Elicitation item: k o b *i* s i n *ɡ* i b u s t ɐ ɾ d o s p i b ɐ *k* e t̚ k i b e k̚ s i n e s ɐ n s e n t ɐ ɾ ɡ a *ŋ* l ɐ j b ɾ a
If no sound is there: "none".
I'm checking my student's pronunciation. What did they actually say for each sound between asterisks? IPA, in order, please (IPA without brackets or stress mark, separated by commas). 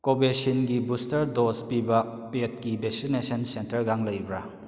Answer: e, ɡ, p, ŋ